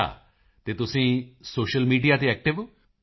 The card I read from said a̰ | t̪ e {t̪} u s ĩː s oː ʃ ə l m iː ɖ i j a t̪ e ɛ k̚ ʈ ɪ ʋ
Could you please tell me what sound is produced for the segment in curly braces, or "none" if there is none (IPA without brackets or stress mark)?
t̪